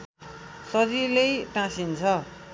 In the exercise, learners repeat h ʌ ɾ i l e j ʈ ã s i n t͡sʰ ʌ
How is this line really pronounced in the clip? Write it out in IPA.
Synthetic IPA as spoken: s ʌ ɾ i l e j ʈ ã s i n t͡sʰ ʌ